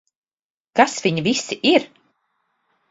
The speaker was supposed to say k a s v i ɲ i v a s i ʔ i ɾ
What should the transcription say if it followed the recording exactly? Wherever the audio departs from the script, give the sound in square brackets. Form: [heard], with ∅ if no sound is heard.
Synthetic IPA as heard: k a s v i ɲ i v [i] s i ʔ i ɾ